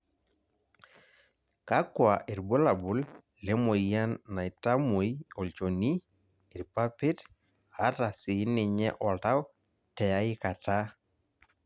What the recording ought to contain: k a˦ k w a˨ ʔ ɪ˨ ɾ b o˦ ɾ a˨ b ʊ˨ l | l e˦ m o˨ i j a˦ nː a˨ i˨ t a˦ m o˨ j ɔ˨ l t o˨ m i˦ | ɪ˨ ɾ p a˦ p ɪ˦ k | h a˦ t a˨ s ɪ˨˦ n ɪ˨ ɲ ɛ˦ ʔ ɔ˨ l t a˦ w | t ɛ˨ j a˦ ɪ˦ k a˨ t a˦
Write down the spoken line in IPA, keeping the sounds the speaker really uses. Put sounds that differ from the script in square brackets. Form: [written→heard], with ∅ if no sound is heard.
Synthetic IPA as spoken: k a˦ k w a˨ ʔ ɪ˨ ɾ b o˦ [ɾ→l] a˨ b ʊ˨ l | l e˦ m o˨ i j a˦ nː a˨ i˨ t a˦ m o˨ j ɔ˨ l [t→t͡ʃ] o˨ [m→n] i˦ | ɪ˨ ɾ p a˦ p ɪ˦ [k→t] | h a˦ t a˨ s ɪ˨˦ n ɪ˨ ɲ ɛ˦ ʔ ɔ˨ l t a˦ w | t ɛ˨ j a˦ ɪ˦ k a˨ t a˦